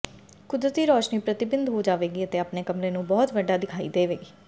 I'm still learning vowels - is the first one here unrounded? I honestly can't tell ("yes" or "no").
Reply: no